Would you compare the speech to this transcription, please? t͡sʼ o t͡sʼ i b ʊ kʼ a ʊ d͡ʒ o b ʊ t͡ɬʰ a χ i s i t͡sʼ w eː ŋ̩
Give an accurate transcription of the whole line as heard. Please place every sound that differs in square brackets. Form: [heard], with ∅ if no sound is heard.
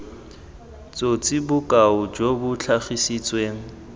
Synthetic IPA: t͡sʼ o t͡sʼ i b ʊ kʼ a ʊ d͡ʒ o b ʊ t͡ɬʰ a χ i s i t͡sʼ w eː ŋ̩